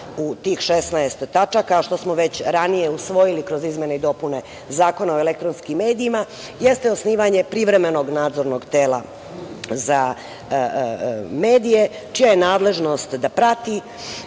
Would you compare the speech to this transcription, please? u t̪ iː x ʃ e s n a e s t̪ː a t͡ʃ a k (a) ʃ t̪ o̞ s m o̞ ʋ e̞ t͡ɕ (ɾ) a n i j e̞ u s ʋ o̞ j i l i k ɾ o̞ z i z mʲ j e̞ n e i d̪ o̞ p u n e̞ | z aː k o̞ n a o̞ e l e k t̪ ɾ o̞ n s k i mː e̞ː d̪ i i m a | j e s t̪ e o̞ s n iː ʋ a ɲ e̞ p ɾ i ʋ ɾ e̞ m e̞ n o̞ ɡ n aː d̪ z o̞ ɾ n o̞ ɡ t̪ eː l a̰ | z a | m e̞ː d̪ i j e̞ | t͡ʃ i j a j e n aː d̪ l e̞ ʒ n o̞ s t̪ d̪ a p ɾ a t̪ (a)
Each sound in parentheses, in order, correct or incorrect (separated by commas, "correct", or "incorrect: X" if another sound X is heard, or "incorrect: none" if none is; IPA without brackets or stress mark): correct, correct, incorrect: i